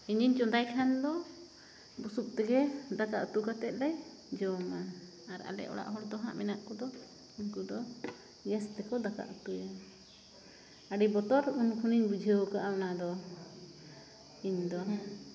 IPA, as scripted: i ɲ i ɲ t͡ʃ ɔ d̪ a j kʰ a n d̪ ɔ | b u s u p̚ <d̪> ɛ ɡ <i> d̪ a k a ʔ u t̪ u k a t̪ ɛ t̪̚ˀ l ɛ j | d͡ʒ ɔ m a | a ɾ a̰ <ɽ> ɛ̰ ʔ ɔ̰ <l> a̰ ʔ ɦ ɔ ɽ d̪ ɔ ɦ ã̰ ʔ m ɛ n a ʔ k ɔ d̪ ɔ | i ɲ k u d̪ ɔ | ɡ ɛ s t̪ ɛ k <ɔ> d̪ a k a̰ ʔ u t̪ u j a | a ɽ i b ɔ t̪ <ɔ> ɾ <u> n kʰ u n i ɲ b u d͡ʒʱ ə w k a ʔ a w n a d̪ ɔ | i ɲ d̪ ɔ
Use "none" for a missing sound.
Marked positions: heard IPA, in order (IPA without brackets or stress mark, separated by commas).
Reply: t̪, ɛ, l, ɽ, ɔ, ɔ, u